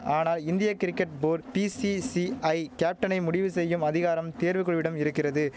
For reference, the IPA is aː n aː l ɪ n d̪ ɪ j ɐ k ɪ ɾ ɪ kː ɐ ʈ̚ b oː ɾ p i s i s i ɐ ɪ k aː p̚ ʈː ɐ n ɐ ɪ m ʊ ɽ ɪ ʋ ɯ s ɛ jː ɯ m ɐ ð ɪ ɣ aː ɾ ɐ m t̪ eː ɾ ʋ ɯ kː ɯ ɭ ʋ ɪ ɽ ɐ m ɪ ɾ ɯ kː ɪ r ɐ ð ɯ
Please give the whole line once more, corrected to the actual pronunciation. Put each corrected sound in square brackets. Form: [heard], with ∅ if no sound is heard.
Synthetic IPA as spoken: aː n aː l ɪ n d̪ ɪ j ɐ k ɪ ɾ ɪ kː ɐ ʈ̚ b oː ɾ p i s i s i ɐ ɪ k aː p̚ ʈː ɐ n ɐ ɪ m ʊ ɽ ɪ ʋ ɯ s ɛ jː ɯ m ɐ ð ɪ ɣ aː ɾ ɐ m t̪ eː ɾ ʋ ɯ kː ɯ ɭ ʋ ɪ ɽ ɐ m ɪ ɾ ɯ kː ɪ r ɐ ð ɯ